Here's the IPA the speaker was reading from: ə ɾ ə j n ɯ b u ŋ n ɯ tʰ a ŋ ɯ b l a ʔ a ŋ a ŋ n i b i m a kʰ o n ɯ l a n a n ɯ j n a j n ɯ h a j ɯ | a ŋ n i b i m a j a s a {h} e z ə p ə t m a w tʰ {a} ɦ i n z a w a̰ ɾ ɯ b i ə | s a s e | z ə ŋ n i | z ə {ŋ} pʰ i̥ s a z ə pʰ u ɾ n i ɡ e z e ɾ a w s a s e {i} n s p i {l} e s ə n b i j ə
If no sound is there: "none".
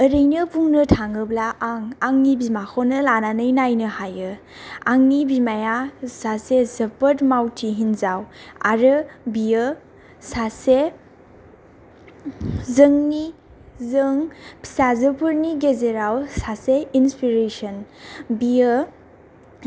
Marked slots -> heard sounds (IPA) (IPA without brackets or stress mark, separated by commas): s, i, ŋ, i, ɾ